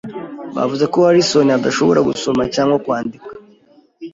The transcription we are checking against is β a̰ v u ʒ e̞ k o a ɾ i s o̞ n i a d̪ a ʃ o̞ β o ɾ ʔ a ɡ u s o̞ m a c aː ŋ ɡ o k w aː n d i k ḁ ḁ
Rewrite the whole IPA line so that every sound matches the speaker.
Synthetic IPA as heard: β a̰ v u z e̞ k o a ɾ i s o̞ n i a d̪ a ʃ o̞ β o ɾ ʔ a ɡ u s o̞ m a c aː ŋ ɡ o k w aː n d i k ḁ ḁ